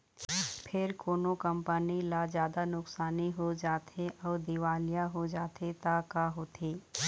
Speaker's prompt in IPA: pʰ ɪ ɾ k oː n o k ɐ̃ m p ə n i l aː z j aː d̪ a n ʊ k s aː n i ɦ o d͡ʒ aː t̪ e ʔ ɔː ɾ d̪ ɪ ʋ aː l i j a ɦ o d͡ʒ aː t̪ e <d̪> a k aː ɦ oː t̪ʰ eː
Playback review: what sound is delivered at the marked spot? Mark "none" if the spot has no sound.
t̪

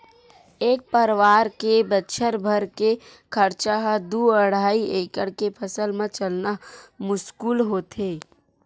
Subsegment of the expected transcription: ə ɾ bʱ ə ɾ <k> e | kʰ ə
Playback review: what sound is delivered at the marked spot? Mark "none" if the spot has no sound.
k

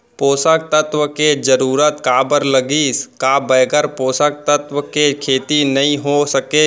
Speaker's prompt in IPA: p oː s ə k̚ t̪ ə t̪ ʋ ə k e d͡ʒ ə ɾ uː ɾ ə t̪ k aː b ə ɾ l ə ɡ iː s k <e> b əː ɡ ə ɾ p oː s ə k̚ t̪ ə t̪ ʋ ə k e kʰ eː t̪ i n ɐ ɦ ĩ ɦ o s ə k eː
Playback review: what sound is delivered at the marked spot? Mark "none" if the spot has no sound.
a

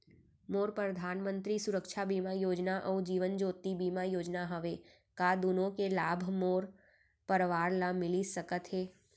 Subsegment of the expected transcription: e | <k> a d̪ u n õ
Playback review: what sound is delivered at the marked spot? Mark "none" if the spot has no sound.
k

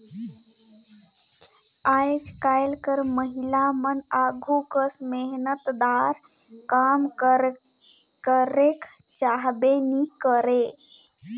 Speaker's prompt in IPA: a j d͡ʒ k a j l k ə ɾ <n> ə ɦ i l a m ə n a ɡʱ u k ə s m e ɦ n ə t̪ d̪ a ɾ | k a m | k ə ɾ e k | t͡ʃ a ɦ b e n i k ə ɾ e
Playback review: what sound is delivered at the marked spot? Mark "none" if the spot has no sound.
m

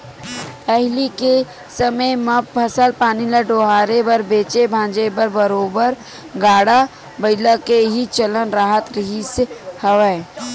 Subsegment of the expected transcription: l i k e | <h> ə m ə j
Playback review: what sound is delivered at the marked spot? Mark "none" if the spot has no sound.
s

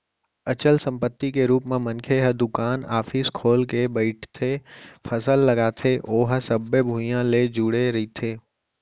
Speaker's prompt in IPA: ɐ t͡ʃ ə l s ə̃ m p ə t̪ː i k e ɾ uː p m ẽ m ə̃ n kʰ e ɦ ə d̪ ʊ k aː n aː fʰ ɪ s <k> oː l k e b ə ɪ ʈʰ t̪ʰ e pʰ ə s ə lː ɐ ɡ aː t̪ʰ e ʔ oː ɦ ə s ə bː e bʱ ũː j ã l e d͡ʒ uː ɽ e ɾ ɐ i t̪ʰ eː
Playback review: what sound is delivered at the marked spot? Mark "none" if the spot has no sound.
kʰ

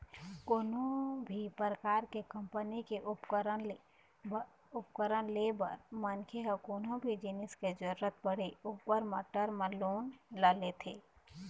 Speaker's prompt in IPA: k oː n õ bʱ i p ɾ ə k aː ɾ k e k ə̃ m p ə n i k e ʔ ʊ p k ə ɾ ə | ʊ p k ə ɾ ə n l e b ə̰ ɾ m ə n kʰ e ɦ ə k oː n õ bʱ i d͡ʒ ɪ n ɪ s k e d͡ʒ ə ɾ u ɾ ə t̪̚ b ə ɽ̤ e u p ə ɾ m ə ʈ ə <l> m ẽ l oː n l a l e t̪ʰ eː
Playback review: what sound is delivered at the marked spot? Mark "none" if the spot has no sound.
ɾ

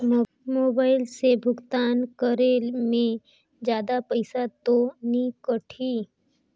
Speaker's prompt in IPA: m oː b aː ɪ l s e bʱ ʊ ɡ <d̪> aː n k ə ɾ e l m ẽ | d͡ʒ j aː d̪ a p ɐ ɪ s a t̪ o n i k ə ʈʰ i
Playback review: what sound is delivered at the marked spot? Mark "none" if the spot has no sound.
t̪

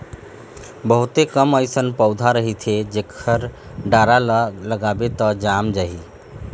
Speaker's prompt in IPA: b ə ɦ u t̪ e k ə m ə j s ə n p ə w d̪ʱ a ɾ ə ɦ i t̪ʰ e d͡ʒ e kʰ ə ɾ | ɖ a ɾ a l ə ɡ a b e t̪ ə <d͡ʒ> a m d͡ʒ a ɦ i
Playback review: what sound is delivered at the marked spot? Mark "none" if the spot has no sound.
d͡ʒ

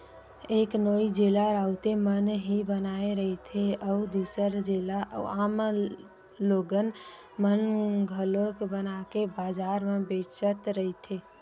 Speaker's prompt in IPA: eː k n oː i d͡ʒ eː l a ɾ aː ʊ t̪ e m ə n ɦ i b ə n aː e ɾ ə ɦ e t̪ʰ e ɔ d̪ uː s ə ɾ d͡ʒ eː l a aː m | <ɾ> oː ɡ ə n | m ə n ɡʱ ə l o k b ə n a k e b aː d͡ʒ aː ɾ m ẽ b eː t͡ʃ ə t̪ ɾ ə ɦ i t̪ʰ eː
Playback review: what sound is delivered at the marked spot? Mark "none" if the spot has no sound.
l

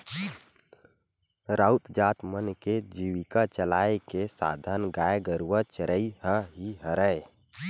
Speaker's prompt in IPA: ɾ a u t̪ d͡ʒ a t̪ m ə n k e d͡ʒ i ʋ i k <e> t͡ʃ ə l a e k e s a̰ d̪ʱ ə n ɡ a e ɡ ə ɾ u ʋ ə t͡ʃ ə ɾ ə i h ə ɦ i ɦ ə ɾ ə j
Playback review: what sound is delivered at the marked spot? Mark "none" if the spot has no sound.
a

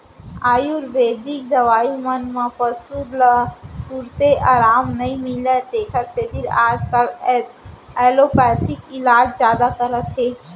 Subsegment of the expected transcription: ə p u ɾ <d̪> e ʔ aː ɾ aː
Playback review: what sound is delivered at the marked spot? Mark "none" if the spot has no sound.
t̪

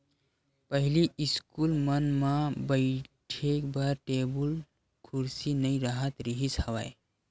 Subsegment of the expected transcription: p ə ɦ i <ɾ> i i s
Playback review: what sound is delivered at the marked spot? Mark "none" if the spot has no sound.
l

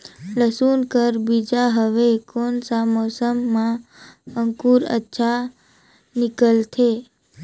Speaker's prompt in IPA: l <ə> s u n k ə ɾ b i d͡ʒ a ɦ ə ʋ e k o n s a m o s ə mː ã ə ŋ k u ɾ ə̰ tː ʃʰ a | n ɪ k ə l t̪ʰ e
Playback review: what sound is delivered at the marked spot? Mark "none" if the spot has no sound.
ə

